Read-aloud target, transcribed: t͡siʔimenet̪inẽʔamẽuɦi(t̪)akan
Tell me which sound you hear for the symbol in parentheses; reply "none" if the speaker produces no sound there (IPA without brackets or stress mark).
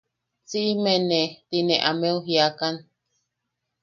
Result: none